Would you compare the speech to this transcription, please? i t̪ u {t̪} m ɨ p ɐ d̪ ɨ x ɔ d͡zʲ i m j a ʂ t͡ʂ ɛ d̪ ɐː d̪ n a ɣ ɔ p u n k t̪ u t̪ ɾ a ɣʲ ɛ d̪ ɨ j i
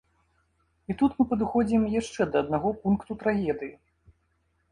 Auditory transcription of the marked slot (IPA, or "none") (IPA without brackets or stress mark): t̪